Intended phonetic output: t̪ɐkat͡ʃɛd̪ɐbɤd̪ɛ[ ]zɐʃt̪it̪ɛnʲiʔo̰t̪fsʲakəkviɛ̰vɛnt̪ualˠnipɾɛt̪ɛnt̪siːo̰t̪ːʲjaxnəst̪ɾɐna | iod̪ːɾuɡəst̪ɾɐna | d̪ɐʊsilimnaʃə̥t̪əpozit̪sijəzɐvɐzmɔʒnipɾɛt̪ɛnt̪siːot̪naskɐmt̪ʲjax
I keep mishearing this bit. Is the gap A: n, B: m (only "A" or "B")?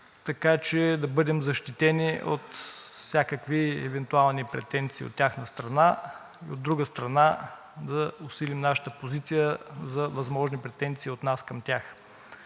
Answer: B